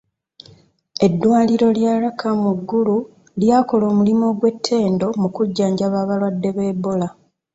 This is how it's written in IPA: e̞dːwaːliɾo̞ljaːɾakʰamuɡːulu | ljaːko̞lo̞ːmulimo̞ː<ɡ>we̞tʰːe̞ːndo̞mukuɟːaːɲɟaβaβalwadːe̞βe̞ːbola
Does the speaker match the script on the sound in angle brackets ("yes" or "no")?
yes